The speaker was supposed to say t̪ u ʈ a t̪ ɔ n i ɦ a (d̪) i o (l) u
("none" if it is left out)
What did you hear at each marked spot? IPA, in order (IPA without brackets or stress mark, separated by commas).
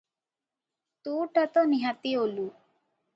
t̪, l